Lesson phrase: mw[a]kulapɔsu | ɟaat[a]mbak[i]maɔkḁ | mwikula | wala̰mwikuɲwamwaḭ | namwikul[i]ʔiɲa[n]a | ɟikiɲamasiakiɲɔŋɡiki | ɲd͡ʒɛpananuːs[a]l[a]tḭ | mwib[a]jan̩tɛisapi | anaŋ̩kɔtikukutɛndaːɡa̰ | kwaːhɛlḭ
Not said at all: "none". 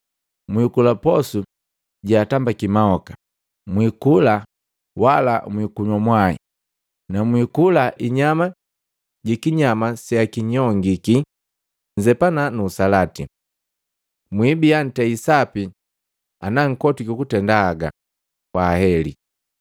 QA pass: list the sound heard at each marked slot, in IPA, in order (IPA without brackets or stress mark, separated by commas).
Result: i, a, i, a, m, a, a, i